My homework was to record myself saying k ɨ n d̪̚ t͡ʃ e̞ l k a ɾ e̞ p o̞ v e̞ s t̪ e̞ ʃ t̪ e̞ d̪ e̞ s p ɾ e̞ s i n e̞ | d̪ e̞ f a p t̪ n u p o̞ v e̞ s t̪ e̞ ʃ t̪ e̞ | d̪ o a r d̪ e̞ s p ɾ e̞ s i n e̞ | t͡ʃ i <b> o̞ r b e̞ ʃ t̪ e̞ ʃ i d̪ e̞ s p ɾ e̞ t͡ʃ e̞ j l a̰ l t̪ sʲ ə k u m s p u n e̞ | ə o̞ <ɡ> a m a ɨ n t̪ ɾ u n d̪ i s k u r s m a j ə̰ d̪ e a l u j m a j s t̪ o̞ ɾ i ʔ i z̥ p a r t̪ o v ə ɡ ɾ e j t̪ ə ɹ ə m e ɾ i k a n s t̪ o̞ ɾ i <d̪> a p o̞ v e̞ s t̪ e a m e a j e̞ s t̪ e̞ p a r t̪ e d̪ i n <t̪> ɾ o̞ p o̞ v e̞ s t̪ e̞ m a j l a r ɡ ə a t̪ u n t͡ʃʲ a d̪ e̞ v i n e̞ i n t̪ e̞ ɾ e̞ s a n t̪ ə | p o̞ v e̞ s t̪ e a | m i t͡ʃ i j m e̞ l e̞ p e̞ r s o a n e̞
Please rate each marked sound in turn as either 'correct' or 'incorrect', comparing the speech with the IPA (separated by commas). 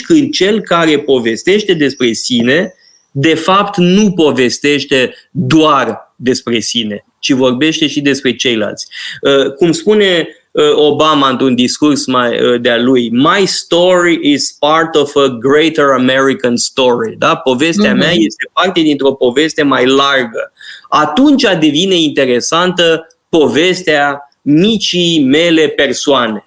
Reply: incorrect, incorrect, correct, correct